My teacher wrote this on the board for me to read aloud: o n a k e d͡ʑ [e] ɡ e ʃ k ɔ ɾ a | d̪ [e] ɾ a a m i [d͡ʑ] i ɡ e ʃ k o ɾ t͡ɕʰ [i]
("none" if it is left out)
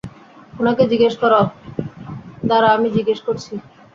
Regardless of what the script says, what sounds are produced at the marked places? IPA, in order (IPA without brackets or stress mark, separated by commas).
i, a, d͡ʑ, i